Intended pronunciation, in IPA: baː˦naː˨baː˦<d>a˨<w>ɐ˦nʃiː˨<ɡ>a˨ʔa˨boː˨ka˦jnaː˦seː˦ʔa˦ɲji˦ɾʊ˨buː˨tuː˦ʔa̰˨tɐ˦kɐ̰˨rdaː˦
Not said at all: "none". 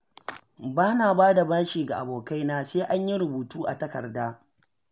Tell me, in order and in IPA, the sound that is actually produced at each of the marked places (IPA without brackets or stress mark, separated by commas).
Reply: d, b, ɡ